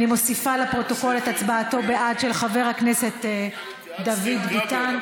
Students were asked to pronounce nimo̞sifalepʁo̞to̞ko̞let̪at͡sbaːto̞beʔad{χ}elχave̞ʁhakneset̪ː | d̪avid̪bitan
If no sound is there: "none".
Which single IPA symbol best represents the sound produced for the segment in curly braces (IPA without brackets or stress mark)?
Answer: ʃ